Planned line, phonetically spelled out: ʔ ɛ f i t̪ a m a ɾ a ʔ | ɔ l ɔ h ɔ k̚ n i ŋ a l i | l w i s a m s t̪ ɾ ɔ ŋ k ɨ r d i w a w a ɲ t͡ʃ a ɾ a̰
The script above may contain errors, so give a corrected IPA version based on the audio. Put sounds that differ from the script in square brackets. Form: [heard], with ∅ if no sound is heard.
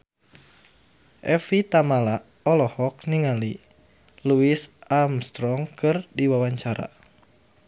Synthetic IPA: ʔ ɛ f i t̪ a m a [l] a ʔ | ɔ l ɔ h ɔ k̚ n i ŋ a l i | l [u] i s a m s t̪ ɾ ɔ ŋ k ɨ r d i w a w a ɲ t͡ʃ a ɾ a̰